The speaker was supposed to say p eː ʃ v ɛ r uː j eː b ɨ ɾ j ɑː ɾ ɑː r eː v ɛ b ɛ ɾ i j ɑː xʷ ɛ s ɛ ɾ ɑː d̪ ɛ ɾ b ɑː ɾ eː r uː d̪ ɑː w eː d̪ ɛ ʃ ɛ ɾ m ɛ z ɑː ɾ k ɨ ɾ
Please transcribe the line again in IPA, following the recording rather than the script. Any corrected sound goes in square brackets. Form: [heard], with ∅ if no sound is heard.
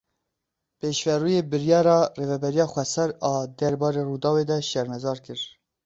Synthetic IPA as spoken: p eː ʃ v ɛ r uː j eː b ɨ ɾ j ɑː ɾ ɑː r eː v ɛ b ɛ ɾ i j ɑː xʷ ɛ s ɛ ɾ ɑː d̪ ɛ ɾ b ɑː ɾ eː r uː d̪ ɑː w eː d̪ ɛ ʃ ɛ ɾ m ɛ z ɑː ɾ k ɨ ɾ